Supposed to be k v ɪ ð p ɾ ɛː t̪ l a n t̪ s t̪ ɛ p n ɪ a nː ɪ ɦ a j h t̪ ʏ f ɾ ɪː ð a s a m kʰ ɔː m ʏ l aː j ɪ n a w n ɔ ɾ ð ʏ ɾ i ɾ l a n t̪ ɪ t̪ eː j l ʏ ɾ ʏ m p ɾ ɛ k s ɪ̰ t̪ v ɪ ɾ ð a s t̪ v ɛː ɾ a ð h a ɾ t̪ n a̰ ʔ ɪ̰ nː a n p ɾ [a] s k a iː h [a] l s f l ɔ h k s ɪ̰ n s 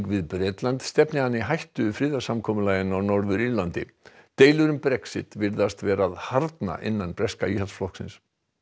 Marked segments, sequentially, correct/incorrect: incorrect, correct

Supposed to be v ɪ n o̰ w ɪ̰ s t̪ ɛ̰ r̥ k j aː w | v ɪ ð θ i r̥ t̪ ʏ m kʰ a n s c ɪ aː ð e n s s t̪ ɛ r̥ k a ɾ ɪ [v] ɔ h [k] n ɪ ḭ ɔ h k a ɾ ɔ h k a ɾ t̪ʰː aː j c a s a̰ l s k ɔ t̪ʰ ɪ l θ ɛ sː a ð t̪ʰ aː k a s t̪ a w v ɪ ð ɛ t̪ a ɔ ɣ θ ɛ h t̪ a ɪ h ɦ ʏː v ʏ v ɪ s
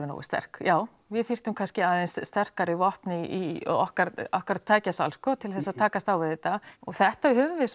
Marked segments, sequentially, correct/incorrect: correct, incorrect

